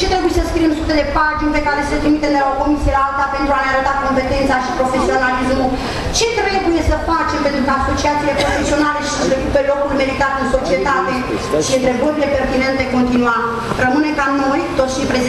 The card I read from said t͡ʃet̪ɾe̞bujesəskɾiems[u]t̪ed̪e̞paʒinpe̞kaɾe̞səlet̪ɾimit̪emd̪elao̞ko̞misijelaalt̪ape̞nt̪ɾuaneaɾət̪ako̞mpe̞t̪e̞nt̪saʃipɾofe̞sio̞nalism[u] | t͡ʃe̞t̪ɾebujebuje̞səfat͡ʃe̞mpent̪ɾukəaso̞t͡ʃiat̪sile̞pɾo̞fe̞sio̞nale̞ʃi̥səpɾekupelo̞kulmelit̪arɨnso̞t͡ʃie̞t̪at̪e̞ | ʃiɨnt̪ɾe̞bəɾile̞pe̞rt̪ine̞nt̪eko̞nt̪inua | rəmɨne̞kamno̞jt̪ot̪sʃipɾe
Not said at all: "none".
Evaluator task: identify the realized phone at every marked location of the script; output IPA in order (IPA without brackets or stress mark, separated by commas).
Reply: u, u